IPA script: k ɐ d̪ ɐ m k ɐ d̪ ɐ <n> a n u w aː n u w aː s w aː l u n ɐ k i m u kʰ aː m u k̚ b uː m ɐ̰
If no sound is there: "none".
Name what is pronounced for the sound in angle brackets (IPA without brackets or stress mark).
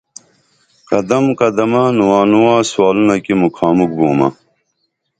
m